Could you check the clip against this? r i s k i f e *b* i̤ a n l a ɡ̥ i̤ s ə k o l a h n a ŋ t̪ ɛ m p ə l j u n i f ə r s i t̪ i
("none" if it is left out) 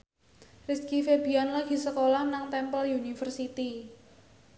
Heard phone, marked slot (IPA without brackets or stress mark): b